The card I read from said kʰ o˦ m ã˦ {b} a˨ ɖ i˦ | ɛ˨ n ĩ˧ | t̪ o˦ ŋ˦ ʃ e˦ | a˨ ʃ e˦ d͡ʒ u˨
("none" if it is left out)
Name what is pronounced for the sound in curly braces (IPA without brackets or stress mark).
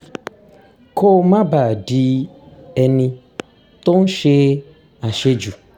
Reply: b